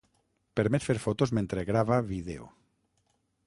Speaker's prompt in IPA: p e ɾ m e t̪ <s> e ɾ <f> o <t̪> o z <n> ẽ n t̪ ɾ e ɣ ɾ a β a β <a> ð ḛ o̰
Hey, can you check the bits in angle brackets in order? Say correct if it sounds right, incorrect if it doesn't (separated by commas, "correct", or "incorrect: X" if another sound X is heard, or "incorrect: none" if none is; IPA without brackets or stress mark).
incorrect: f, correct, correct, incorrect: m, incorrect: i